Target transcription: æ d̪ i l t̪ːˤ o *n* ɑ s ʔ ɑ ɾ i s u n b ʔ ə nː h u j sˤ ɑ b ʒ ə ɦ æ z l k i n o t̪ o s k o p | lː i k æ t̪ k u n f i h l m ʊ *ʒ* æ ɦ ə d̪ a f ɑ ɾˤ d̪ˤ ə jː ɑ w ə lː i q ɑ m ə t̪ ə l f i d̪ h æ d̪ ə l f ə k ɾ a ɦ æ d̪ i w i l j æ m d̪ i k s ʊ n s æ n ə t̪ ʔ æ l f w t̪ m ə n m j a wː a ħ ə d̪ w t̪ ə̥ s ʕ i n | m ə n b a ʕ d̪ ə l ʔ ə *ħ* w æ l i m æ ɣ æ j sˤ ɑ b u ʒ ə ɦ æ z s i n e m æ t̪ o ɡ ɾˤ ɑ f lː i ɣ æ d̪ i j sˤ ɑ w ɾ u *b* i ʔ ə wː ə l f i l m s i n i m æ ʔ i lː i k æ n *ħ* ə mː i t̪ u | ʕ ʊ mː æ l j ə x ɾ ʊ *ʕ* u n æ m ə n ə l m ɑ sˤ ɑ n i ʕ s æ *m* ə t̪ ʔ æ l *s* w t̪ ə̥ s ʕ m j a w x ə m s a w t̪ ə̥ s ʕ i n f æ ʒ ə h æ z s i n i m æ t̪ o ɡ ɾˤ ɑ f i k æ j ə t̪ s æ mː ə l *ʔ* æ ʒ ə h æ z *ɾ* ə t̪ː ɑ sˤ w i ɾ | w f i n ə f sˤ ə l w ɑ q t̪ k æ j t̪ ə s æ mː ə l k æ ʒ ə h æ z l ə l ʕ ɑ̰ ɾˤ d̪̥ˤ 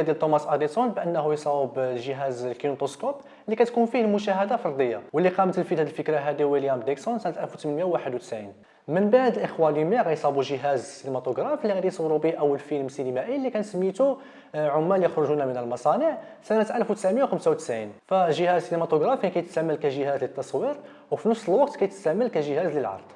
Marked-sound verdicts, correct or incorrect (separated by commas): incorrect, incorrect, incorrect, correct, incorrect, incorrect, incorrect, incorrect, incorrect, incorrect